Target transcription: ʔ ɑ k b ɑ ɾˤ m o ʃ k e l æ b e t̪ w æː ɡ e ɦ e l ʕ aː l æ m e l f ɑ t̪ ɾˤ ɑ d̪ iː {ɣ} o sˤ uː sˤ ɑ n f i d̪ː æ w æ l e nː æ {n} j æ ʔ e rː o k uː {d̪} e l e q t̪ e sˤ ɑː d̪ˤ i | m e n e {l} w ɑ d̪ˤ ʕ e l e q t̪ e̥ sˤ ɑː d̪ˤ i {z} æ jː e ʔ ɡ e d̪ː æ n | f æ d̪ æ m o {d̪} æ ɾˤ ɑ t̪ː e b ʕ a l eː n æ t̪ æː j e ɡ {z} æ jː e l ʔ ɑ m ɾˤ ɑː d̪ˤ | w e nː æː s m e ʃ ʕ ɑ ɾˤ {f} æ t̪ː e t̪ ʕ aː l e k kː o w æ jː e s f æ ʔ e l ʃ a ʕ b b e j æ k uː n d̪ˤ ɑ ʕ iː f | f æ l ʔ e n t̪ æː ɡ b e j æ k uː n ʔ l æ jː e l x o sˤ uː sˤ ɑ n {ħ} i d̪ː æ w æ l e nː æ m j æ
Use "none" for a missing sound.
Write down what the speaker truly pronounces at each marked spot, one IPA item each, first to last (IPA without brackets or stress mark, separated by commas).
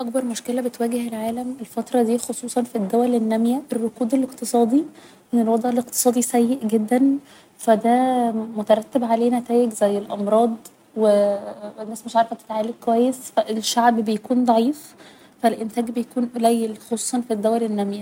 x, m, d̪, l, s, t̪, z, f, f